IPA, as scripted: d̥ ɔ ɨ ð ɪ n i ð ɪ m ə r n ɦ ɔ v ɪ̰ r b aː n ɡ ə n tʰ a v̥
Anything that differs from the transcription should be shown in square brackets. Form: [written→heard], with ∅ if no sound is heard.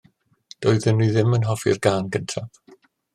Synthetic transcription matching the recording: d̥ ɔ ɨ ð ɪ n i ð ɪ m ə [r→∅] n ɦ ɔ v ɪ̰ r [b→ɡ] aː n ɡ ə n tʰ a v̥

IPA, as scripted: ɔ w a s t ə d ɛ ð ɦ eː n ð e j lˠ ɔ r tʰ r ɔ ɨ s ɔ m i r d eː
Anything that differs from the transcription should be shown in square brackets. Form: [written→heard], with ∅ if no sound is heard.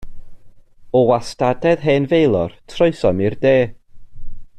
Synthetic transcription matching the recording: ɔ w a s t [ə→a] d ɛ ð ɦ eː n [ð→v] e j lˠ ɔ r tʰ r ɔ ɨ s ɔ m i r d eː

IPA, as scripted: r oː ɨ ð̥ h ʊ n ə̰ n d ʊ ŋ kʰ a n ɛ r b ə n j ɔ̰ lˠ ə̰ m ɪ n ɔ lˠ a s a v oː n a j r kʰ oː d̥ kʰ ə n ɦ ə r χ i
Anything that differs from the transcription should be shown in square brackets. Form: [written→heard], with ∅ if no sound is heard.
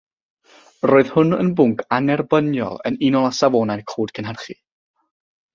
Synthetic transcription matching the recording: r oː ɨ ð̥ h ʊ n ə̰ n [d→b] ʊ ŋ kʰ a n ɛ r b ə n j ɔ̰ lˠ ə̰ [m→n] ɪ n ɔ lˠ a s a v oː n a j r kʰ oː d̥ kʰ ə n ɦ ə r χ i

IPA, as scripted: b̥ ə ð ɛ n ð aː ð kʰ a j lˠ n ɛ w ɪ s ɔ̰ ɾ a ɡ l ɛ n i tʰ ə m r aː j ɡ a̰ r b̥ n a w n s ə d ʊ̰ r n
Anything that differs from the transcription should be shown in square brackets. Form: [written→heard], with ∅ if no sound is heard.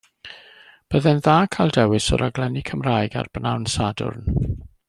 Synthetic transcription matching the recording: b̥ ə ð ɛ n ð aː [ð→∅] kʰ a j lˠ [n→d] ɛ w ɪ s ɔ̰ ɾ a ɡ l ɛ n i [tʰ→kʰ] ə m r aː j ɡ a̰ r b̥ n a w n s [ə→a] d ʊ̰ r n

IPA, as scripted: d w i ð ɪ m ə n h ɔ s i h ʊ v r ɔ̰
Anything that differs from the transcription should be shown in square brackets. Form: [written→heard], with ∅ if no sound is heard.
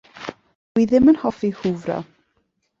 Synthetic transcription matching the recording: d w i ð ɪ m ə n h ɔ [s→f] i h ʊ v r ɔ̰

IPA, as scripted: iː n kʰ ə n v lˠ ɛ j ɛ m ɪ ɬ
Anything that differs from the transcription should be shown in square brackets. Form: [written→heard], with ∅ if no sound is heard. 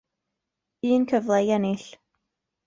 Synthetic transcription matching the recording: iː n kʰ ə [n→∅] v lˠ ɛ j ɛ [m→n] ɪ ɬ

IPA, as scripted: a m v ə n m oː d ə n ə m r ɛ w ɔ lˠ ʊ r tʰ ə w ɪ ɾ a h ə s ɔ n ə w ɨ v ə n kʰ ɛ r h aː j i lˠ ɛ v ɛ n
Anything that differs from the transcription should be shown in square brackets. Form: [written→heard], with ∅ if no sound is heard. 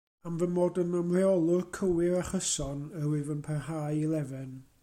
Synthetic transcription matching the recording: a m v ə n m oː d ə n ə m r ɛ [w→∅] ɔ lˠ ʊ r [tʰ→kʰ] ə w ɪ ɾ a [h→χ] ə s ɔ n ə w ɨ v ə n [kʰ→pʰ] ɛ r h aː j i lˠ ɛ v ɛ n

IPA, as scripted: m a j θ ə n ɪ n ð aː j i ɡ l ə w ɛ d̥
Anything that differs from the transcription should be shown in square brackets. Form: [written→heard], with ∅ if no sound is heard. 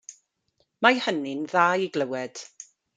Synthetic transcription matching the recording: m a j [θ→h] ə n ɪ n ð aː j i ɡ l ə w ɛ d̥

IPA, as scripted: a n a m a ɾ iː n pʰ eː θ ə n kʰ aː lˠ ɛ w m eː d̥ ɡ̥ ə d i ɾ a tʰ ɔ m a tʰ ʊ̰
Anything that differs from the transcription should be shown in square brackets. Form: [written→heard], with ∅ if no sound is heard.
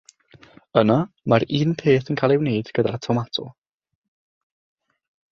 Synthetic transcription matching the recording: [a→ə] n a m a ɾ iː n pʰ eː θ ə n kʰ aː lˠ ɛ w [m→n] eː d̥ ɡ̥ ə d [i→a] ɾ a tʰ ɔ m a tʰ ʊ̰

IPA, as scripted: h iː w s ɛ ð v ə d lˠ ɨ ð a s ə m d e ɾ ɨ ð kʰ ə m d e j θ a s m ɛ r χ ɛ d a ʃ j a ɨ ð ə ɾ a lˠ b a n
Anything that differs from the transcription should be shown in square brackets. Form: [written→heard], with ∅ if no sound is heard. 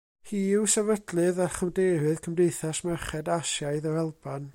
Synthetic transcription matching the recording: h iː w s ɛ [ð→∅] v ə d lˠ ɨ ð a [s→χ] ə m d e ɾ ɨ ð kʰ ə m d e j θ a s m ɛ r χ ɛ d a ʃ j a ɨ ð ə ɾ [a→ɛ] lˠ b a n

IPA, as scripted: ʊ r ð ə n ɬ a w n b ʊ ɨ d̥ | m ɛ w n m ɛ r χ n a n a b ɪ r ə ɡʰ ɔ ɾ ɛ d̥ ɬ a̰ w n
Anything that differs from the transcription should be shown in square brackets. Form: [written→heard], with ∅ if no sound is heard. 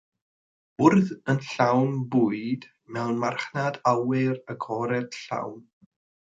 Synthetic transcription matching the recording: ʊ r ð ə n ɬ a w n b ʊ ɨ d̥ | m ɛ w n m [ɛ→a] r χ n a [n→d] a [b→w] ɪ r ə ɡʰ ɔ ɾ ɛ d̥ ɬ a̰ w n

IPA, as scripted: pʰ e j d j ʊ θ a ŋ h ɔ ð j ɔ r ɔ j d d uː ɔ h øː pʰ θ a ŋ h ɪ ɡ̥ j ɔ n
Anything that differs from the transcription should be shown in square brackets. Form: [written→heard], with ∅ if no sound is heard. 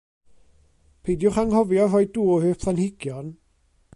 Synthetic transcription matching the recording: pʰ e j d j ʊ [θ→χ] a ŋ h ɔ [ð→v] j ɔ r ɔ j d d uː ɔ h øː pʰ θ a [ŋ→n] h ɪ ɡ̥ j ɔ n

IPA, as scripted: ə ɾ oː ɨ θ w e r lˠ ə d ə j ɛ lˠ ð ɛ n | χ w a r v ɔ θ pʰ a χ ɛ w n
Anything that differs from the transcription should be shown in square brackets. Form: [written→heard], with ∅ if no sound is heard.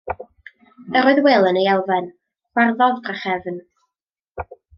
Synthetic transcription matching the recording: ə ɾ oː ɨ [θ→ð] w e [r→∅] lˠ ə [d→n] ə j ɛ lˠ [ð→v] ɛ n | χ w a r [v→ð] ɔ [θ→ð] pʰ a χ ɛ [w→v] n

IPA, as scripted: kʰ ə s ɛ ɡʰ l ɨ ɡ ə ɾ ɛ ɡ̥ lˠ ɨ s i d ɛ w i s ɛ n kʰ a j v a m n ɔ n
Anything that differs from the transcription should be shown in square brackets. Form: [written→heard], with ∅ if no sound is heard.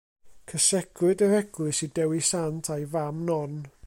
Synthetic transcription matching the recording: kʰ ə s ɛ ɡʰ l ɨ [ɡ→d] ə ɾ ɛ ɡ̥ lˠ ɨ s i d ɛ w i s [ɛ→a] n [kʰ→tʰ] a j v a m n ɔ n

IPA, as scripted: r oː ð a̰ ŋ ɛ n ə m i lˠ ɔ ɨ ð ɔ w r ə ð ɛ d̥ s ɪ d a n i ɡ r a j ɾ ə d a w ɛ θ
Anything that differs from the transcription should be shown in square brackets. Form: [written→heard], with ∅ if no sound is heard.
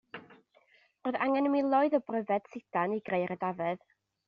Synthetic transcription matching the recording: r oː ð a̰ ŋ ɛ n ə m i lˠ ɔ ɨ ð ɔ [w→b] r ə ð ɛ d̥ s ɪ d a n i ɡ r [a→e] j ɾ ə d a [w→v] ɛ [θ→ð]

